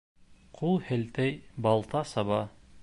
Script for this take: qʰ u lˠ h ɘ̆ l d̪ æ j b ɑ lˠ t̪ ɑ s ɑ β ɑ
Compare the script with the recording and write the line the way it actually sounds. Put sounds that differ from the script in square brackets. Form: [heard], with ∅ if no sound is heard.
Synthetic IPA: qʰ u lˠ h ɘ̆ l [t̪] æ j b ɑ lˠ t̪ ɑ s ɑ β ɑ